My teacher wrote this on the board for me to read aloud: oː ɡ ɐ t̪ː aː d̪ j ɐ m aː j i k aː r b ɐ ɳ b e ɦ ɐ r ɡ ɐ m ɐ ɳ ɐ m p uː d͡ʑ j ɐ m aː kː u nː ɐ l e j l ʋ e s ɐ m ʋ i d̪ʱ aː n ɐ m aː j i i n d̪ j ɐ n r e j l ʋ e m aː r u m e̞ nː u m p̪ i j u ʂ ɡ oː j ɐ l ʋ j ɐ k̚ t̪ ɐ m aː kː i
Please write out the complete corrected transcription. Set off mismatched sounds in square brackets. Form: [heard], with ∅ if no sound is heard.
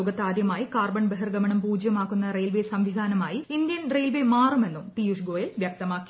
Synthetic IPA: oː ɡ ɐ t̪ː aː d̪ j ɐ m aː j i k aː r b ɐ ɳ b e ɦ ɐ r ɡ ɐ m ɐ ɳ ɐ m p uː d͡ʑ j ɐ m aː kː u nː ɐ [r] e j l ʋ e s ɐ m ʋ i d̪ʱ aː n ɐ m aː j i i n d̪ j ɐ n r e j l ʋ e m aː r u m e̞ nː u m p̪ i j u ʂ ɡ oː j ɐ l ʋ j ɐ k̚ t̪ ɐ m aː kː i